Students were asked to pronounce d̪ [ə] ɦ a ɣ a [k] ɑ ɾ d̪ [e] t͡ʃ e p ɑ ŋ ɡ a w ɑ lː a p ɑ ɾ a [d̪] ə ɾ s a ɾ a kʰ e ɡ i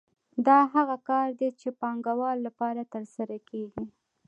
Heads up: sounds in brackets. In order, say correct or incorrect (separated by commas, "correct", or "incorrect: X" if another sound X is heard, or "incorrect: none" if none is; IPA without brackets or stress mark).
incorrect: ɑ, correct, correct, incorrect: t̪